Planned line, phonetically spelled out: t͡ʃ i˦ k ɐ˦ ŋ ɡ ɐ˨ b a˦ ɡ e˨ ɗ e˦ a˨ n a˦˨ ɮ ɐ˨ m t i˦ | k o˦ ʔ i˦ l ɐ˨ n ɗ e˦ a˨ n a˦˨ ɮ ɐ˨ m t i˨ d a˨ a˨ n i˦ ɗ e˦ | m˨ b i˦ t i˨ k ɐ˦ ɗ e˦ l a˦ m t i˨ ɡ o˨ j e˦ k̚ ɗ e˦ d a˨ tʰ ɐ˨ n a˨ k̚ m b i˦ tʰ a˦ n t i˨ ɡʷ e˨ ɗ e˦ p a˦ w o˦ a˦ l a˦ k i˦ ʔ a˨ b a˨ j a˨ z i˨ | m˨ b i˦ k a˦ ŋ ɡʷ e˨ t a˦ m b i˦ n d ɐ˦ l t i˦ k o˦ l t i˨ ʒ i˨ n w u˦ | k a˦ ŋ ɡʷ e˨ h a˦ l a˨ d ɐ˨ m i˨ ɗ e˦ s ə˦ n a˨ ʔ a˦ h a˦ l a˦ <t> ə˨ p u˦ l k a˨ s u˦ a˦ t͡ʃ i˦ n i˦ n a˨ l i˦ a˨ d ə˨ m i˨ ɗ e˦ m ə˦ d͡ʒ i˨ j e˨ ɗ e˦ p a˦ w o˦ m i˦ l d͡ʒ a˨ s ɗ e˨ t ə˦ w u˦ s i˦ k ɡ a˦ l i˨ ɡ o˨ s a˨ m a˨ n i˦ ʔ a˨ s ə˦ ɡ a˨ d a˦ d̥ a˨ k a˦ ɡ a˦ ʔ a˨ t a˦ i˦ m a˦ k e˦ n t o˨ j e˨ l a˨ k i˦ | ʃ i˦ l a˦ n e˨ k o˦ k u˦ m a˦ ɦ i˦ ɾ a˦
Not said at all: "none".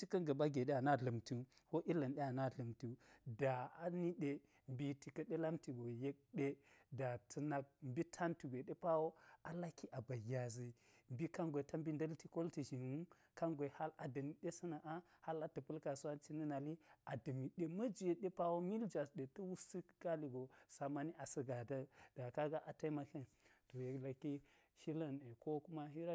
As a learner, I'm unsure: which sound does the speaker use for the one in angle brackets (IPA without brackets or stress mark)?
t